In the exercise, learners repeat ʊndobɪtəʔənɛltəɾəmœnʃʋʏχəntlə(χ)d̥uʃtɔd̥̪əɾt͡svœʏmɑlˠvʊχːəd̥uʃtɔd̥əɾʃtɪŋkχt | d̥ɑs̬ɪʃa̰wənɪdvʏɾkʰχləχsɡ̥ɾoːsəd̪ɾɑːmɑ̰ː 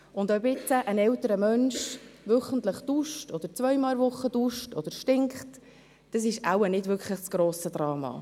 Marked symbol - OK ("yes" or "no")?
yes